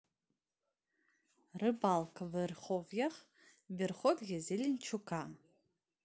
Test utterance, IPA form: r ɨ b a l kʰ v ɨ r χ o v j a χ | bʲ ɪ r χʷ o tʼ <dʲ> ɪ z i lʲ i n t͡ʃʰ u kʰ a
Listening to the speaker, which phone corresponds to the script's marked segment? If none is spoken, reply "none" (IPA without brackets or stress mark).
ɡʲ